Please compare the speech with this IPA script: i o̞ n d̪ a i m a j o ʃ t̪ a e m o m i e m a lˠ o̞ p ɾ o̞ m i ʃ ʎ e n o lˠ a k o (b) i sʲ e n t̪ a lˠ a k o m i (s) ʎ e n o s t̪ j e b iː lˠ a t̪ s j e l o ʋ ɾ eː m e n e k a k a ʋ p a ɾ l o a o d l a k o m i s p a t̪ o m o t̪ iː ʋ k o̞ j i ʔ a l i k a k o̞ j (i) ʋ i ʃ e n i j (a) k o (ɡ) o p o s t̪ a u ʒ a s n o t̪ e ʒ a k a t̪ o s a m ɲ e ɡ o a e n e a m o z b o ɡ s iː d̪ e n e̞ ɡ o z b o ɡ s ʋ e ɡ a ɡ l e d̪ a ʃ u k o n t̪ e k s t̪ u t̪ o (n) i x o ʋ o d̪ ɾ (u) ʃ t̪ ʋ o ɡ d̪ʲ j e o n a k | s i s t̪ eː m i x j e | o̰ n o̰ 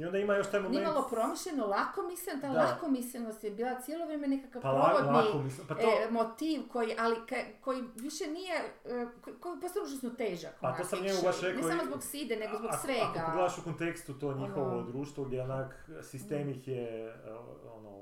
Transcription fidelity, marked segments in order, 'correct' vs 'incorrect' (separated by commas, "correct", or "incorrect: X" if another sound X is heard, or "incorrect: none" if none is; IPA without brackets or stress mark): incorrect: m, correct, correct, incorrect: e, incorrect: k, incorrect: ɲ, incorrect: uː